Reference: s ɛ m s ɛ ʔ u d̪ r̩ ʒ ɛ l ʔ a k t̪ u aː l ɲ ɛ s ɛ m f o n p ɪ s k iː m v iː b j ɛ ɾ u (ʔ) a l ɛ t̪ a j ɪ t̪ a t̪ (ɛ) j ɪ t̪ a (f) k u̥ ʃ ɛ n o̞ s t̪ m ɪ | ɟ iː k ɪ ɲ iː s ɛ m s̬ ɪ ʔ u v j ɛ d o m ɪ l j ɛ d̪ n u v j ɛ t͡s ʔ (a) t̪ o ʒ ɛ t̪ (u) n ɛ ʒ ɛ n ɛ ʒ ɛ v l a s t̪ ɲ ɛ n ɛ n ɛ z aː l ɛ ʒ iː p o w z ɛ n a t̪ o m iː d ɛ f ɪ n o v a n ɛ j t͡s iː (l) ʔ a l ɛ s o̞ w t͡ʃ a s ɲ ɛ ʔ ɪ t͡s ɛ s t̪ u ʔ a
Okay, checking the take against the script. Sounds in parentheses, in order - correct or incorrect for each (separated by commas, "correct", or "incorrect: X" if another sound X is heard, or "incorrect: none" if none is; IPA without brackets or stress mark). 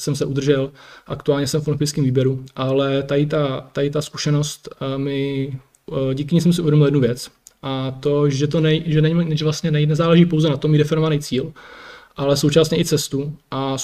correct, incorrect: a, incorrect: s, correct, incorrect: o, correct